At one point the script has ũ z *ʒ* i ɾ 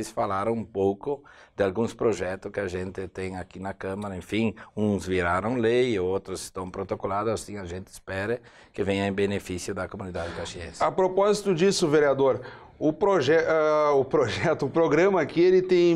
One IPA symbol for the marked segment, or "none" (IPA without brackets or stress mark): v